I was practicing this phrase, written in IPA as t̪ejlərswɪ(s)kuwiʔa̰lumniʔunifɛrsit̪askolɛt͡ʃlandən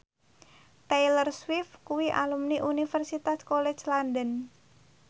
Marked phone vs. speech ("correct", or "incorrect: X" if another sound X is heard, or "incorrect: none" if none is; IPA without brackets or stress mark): incorrect: f